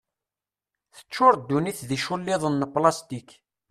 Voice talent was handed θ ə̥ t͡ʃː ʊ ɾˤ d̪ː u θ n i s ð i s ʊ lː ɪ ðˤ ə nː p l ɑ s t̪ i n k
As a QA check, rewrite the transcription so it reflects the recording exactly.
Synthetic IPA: θ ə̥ t͡ʃː ʊ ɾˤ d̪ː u n i θ ð i ʃ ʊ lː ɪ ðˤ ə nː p l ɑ s t̪ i k